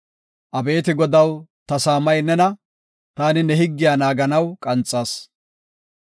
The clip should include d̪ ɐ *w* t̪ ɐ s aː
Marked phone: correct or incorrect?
correct